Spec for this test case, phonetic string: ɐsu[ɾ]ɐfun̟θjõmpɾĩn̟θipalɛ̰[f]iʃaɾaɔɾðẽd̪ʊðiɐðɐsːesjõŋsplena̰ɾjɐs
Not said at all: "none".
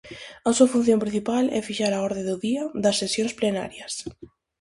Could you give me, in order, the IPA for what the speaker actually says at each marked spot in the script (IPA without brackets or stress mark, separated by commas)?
none, f